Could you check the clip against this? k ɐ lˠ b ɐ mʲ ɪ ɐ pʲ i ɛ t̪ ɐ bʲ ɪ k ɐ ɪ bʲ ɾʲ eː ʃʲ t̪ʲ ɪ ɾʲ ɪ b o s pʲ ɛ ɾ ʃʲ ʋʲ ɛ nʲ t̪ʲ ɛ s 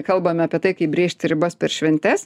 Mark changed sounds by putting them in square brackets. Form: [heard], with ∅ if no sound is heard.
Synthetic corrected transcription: k ɐ lˠ b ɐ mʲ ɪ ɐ pʲ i ɛ t̪ ɐ [∅] ɪ k ɐ ɪ bʲ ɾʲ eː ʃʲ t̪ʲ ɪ ɾʲ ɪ b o s pʲ ɛ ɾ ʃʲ ʋʲ ɛ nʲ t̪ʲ ɛ s

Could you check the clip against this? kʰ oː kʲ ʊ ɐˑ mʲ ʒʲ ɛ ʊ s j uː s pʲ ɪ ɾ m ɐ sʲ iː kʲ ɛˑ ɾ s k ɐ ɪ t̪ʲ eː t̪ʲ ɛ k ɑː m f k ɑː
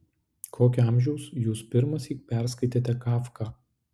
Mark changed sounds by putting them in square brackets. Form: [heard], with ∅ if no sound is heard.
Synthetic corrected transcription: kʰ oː kʲ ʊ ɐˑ mʲ ʒʲ ɛ ʊ s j uː s pʲ ɪ ɾ m ɐ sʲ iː [pʲ] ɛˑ ɾ s k ɐ ɪ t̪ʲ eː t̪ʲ ɛ k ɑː [∅] f k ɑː

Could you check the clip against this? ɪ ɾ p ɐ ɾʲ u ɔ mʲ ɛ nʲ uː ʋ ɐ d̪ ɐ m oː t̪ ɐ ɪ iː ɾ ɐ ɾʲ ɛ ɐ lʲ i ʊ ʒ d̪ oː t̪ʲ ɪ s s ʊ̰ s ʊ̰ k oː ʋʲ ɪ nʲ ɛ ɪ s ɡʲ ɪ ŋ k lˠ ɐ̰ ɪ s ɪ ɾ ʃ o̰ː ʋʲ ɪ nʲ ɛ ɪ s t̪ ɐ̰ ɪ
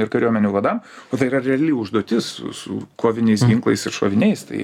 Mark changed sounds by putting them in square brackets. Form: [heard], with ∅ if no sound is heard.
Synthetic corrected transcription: ɪ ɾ [k] ɐ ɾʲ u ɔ mʲ ɛ nʲ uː ʋ ɐ d̪ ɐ m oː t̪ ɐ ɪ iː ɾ ɐ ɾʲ ɛ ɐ lʲ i ʊ ʒ d̪ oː t̪ʲ ɪ s s ʊ̰ s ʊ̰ k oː ʋʲ ɪ nʲ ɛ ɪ s ɡʲ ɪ ŋ k lˠ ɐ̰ ɪ s ɪ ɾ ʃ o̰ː ʋʲ ɪ nʲ ɛ ɪ s t̪ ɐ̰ ɪ

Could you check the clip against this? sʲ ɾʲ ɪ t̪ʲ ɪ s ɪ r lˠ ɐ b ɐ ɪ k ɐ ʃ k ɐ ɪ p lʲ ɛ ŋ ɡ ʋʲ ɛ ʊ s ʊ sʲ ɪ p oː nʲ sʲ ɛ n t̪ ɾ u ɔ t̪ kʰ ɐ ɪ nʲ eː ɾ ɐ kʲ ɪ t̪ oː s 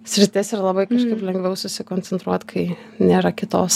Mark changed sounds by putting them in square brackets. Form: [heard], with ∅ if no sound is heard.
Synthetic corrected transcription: sʲ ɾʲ ɪ t̪ʲ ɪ s ɪ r lˠ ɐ b ɐ ɪ k ɐ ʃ k ɐ ɪ p lʲ ɛ ŋ ɡ ʋʲ ɛ ʊ s ʊ sʲ ɪ [k] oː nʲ [t͡sʲ] ɛ n t̪ ɾ u ɔ t̪ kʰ ɐ ɪ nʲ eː ɾ ɐ kʲ ɪ t̪ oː s

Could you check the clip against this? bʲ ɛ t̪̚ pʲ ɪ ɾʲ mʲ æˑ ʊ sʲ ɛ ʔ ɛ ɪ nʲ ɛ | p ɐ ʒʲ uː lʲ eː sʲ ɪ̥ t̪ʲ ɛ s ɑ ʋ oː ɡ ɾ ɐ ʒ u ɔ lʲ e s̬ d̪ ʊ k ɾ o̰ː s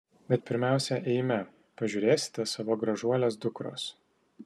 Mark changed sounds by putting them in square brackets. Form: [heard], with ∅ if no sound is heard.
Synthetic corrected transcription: bʲ ɛ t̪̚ pʲ ɪ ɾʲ mʲ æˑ ʊ sʲ ɛ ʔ ɛ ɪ [mʲ] ɛ | p ɐ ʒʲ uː [ɾʲ] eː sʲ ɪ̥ t̪ʲ ɛ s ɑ ʋ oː ɡ ɾ ɐ ʒ u ɔ lʲ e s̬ d̪ ʊ k ɾ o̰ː s

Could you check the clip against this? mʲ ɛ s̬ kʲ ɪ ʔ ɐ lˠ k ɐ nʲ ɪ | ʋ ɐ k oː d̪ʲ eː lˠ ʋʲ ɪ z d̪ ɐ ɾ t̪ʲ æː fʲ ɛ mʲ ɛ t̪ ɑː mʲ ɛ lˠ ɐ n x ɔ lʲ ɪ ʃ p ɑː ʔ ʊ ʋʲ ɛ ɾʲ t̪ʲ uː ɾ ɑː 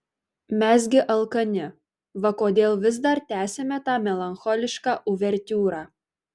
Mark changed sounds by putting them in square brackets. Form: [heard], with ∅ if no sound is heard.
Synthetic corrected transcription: mʲ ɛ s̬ [ɡʲ] ɪ ʔ ɐ lˠ k ɐ nʲ ɪ | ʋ ɐ k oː d̪ʲ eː lˠ ʋʲ ɪ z d̪ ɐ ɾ t̪ʲ æː [sʲ] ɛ mʲ ɛ t̪ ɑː mʲ ɛ lˠ ɐ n x ɔ lʲ ɪ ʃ [k] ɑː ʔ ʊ ʋʲ ɛ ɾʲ t̪ʲ uː ɾ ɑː

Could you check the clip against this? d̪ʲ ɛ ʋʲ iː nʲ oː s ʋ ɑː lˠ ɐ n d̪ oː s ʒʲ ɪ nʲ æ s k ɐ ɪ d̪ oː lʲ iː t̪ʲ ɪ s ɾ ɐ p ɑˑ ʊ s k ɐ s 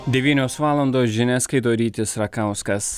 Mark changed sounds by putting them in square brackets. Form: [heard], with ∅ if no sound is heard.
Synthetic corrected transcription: d̪ʲ ɛ ʋʲ iː nʲ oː s ʋ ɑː lˠ ɐ n d̪ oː s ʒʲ ɪ nʲ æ s k ɐ ɪ d̪ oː [ɾʲ] iː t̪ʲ ɪ s ɾ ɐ [k] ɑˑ ʊ s k ɐ s

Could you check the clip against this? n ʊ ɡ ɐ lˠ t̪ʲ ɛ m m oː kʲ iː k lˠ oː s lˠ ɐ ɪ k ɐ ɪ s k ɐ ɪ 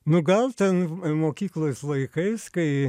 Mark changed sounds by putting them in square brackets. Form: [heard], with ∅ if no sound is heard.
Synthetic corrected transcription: n ʊ ɡ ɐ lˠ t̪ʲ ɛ [n] m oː kʲ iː k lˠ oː s lˠ ɐ ɪ k ɐ ɪ s k ɐ ɪ

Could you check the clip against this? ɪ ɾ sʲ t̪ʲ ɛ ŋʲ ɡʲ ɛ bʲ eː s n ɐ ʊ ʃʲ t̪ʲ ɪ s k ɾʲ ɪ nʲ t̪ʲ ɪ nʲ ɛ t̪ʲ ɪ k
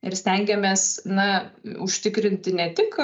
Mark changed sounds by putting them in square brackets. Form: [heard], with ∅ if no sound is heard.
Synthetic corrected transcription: ɪ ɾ sʲ t̪ʲ ɛ ŋʲ ɡʲ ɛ [mʲ] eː s n ɐ ʊ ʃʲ t̪ʲ ɪ [∅] k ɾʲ ɪ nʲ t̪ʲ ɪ nʲ ɛ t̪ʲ ɪ k

